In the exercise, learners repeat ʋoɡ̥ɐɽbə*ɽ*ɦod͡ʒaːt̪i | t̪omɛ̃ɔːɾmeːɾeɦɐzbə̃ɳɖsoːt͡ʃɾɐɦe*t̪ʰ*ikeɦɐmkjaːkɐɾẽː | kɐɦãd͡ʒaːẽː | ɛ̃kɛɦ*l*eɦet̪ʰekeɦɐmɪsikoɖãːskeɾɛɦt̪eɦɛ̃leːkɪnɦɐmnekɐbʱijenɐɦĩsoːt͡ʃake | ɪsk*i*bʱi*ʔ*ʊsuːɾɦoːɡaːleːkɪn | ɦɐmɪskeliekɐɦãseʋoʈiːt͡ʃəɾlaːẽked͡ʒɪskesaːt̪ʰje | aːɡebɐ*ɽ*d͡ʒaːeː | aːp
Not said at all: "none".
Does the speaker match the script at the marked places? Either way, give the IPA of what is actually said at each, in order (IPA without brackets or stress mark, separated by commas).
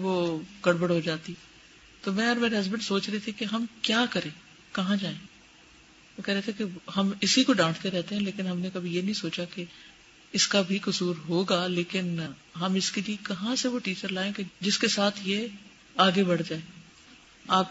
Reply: ɽ, t̪ʰ, ɾ, a, k, ɽ